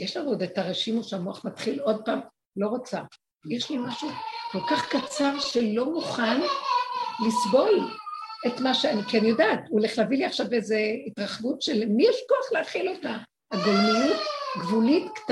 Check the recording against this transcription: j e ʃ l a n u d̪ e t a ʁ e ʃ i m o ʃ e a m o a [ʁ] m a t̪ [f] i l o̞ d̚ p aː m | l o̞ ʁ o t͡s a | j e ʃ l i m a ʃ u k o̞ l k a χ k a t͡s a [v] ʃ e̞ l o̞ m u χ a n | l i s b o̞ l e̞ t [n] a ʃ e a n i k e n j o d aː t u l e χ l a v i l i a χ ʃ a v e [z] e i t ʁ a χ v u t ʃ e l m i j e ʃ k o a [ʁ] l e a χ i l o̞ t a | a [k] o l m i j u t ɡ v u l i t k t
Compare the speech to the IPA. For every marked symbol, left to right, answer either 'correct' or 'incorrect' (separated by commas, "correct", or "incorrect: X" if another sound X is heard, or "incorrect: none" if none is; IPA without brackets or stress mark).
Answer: incorrect: χ, incorrect: χ, incorrect: ʁ, incorrect: m, correct, incorrect: χ, incorrect: ɡ